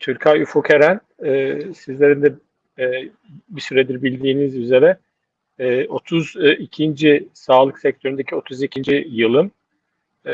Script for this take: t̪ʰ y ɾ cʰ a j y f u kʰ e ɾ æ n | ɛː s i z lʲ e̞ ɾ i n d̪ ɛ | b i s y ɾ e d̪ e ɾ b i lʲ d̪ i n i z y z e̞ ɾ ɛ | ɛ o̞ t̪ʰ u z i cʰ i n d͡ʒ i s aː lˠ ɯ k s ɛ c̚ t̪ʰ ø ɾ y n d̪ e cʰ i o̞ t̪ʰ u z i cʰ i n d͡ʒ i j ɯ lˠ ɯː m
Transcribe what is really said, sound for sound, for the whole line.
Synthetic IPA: t̪ʰ y ɾ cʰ a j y f u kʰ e ɾ æ n | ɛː s i z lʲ e̞ ɾ i n d̪ ɛ | b i s y ɾ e d̪ i ɾ b i lʲ d̪ iː n i z y z e̞ ɾ ɛ | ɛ o̞ t̪ʰ u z i cʰ i n d͡ʒ i s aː lˠ ɯ k s ɛ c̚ t̪ʰ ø ɾ y n d̪ e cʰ i o̞ t̪ʰ u z i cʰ i n d͡ʒ i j ɯ lˠ ɯ m